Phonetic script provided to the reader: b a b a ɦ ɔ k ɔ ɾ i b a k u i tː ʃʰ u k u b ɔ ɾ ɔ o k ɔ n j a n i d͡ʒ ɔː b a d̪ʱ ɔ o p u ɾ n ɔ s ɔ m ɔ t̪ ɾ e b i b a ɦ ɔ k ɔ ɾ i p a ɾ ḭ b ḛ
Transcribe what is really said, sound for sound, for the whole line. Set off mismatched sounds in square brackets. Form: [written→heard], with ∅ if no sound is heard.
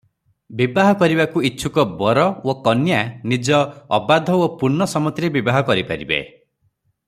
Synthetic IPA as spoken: b [a→i] b a ɦ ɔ k ɔ ɾ i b a k u i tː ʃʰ u k [u→ɔ] b ɔ ɾ ɔ o k ɔ n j a n i d͡ʒ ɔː b a d̪ʱ ɔ o p u ɾ n ɔ s ɔ m ɔ t̪ ɾ e b i b a ɦ ɔ k ɔ ɾ i p a ɾ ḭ b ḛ